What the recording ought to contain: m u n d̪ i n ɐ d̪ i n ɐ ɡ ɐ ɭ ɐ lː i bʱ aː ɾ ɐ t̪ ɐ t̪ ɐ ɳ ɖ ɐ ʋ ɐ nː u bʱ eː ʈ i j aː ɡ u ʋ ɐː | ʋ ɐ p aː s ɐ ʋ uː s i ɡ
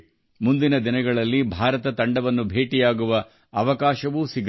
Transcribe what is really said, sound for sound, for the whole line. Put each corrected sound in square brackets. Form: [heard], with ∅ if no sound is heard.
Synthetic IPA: m u n d̪ i n ɐ d̪ i n ɐ ɡ ɐ ɭ ɐ lː i bʱ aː ɾ ɐ t̪ ɐ t̪ ɐ ɳ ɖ ɐ ʋ ɐ nː u bʱ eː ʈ i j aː ɡ u ʋ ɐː | ʋ ɐ [k] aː [ʃ] ɐ ʋ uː s i ɡ